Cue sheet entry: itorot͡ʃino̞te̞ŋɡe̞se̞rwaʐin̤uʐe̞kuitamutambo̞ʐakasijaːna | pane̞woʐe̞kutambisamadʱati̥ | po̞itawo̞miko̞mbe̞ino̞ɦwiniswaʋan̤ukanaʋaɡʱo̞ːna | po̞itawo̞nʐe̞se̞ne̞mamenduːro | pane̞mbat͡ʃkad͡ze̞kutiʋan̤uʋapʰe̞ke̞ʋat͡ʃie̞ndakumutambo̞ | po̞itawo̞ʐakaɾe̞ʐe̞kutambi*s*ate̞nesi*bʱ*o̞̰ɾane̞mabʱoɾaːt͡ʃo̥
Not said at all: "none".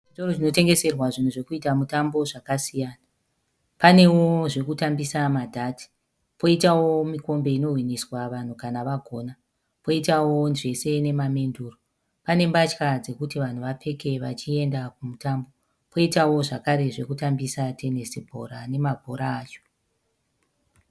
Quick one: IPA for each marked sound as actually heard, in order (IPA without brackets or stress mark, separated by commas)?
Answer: s, bʱ